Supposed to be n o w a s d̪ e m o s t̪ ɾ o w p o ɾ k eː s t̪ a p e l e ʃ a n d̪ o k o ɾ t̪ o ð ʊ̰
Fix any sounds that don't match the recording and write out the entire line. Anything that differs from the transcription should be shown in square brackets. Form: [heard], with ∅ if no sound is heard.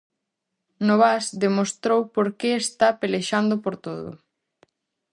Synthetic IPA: n o [β] a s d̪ e m o s t̪ ɾ o w p o ɾ k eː s t̪ a p e l e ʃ a n d̪ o [p] o ɾ t̪ o ð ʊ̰